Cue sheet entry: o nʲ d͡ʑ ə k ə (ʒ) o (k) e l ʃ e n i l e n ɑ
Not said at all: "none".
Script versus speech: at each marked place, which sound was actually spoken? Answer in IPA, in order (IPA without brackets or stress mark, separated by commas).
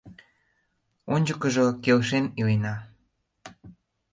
ʒ, k